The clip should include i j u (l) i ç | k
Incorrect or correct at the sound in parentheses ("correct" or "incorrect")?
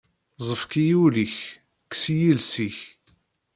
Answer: correct